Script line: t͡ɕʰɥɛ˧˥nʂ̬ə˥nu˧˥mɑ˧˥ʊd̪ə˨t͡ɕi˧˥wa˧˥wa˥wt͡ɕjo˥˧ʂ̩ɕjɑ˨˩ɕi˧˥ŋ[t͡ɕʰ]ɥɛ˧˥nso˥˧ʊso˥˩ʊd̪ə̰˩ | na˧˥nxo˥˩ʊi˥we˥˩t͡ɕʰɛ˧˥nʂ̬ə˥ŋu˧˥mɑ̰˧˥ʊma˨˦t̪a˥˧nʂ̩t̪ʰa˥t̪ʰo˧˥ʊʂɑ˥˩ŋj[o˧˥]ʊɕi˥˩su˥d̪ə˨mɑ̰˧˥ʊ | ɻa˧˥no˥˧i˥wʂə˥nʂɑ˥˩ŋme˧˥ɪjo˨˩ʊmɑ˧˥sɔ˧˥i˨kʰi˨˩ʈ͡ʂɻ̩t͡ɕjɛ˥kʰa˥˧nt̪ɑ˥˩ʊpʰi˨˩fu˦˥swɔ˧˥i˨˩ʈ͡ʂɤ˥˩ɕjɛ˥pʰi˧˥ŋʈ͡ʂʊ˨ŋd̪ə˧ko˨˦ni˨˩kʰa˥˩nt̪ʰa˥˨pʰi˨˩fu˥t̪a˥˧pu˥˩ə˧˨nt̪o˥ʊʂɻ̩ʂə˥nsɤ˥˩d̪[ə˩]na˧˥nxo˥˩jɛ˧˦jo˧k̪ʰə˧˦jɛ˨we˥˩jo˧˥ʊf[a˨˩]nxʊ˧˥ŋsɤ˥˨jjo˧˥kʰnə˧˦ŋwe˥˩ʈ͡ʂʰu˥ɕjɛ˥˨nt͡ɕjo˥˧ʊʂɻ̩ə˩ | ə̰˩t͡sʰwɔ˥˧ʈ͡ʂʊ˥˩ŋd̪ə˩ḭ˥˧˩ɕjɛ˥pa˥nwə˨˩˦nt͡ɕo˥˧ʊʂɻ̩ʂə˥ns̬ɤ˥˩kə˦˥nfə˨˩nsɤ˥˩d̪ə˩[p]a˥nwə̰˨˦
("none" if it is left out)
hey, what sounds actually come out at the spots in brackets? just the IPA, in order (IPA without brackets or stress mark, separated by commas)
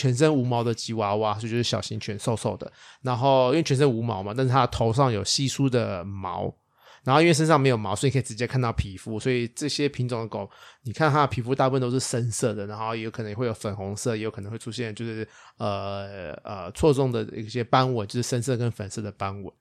t͡ɕʰ, o˨˩, ə˩, ə˨˩, p